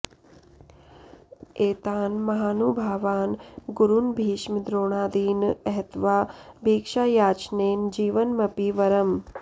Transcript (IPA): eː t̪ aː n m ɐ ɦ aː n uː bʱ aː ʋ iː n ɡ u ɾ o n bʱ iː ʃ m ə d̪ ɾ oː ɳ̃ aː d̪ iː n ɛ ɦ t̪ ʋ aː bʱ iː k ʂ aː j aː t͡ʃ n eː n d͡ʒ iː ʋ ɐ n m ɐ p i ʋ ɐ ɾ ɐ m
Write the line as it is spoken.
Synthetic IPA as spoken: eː t̪ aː n m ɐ ɦ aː n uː bʱ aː ʋ aː n ɡ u ɾ u n bʱ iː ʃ m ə d̪ ɾ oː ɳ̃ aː d̪ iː n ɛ ɦ t̪ ʋ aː bʱ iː k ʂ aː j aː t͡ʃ n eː n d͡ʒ iː ʋ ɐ n m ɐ p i ʋ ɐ ɾ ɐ m